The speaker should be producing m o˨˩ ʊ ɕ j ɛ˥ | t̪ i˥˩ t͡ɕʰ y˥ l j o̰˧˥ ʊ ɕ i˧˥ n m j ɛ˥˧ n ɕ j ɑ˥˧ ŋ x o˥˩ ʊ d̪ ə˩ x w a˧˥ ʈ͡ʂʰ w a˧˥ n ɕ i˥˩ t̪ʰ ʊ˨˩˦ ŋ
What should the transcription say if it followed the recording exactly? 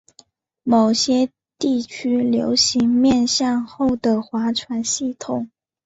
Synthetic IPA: m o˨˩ ʊ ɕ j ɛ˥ | t̪ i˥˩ t͡ɕʰ y˥ l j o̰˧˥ ʊ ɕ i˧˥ ŋ m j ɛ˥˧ n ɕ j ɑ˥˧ ŋ x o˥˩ ʊ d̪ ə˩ x w a˧˥ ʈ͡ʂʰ w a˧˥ n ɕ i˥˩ t̪ʰ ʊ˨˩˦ ŋ

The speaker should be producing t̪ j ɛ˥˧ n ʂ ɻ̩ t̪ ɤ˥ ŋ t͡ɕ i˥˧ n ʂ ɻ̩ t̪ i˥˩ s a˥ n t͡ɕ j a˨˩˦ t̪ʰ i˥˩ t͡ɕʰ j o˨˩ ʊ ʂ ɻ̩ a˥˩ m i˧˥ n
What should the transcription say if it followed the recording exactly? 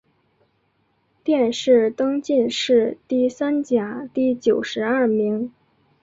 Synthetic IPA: t̪ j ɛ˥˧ n ʂ ɻ̩ t̪ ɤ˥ ŋ t͡ɕ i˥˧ n ʂ ɻ̩ t̪ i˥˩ s a˥ n t͡ɕ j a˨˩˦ t̪ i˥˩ t͡ɕ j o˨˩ ʊ ʂ ɻ̩ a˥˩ m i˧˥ ŋ

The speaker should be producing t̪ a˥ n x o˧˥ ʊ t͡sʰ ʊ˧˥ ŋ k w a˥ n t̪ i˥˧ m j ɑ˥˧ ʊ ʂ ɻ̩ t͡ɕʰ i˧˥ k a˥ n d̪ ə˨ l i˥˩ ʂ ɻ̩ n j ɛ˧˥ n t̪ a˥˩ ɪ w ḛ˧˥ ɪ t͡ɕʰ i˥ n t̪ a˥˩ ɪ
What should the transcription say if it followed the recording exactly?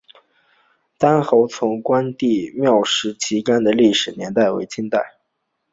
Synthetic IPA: t̪ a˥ n x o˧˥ ʊ t͡sʰ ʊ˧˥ ŋ k w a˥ n t̪ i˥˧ m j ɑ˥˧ ʊ ʂ ɻ̩ t͡ɕʰ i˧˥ k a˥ n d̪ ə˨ l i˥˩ ʂ ɻ̩ n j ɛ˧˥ n t̪ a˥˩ ɪ w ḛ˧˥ ɪ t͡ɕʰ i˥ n t̪ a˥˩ ɪ

